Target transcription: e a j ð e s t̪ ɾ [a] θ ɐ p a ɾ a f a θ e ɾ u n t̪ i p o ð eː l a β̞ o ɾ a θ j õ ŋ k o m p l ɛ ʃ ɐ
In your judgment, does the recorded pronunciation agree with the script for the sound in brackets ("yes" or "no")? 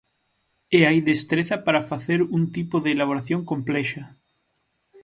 no